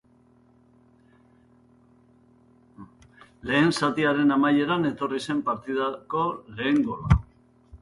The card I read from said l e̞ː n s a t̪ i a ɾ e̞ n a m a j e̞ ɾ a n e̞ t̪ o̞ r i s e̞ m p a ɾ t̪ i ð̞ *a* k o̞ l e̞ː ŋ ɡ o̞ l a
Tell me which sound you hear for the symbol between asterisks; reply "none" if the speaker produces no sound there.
a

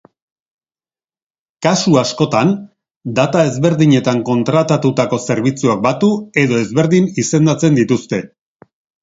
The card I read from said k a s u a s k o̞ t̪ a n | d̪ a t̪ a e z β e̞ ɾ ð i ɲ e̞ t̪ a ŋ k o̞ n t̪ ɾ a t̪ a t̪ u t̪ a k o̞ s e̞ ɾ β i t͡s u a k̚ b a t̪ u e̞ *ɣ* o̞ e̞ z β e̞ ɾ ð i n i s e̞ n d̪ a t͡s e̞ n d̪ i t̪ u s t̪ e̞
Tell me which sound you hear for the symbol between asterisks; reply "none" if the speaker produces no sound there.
ð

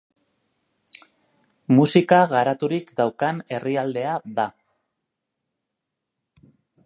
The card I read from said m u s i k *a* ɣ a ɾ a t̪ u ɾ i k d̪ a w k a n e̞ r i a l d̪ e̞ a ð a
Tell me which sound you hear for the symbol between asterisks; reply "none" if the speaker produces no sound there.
a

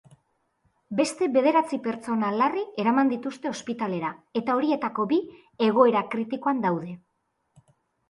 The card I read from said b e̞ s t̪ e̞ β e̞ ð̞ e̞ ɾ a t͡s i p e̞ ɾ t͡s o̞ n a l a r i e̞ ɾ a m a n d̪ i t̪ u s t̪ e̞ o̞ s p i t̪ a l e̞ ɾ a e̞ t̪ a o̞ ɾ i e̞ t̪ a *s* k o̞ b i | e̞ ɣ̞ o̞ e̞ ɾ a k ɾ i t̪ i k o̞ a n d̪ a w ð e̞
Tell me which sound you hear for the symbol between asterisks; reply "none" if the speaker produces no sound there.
none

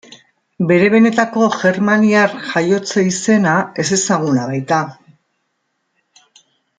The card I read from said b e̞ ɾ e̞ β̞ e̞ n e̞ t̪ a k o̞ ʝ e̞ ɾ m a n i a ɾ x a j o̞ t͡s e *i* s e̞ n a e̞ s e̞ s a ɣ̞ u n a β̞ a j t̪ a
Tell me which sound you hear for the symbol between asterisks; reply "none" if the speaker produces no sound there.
i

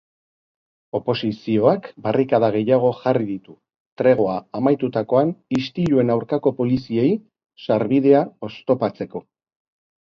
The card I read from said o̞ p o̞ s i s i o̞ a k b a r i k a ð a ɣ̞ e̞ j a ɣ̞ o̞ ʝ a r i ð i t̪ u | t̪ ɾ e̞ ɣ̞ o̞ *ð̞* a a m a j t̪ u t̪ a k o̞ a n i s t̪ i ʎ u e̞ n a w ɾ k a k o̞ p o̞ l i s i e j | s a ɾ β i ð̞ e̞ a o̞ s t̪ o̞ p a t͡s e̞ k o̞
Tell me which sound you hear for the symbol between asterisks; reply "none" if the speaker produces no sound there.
none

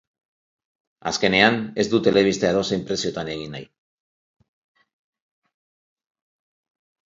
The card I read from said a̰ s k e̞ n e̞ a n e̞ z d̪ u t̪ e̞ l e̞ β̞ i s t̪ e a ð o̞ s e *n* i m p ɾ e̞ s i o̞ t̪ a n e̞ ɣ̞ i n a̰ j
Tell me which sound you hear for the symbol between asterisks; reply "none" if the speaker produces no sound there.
none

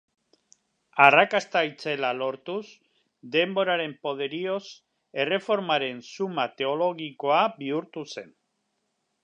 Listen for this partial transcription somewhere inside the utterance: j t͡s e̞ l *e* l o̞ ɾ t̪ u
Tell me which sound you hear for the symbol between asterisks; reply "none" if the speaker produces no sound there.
a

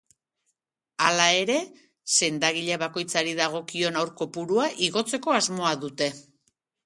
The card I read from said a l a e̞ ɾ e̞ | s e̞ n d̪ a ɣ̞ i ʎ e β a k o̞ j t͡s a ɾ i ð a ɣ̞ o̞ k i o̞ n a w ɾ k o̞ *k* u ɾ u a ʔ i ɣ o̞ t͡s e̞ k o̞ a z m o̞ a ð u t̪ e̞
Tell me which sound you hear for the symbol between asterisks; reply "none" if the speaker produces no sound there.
p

